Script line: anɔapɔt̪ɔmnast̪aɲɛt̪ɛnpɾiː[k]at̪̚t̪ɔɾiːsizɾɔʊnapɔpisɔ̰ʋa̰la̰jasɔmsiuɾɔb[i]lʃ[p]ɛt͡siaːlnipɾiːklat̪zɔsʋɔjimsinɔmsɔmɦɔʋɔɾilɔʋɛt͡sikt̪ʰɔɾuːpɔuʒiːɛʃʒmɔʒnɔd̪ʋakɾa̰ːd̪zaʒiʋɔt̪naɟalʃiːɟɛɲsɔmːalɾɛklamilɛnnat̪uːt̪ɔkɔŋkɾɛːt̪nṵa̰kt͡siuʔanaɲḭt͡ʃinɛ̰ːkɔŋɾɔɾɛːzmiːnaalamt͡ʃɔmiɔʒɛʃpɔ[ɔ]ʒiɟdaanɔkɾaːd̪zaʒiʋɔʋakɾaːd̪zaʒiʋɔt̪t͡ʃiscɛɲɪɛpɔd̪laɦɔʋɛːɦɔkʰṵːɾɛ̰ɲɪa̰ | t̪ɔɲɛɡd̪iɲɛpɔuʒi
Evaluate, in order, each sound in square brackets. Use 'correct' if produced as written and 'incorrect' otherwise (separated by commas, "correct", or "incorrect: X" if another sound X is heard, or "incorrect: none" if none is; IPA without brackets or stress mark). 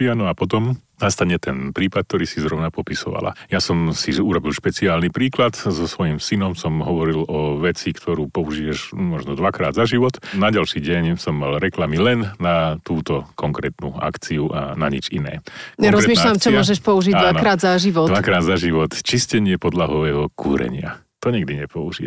incorrect: p, correct, correct, incorrect: u